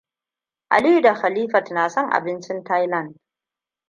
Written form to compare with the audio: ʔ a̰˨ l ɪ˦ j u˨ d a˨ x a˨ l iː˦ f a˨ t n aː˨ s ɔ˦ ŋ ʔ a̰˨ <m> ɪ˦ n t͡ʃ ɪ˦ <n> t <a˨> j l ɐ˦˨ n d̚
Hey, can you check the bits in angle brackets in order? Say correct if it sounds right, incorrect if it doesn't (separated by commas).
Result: incorrect, correct, incorrect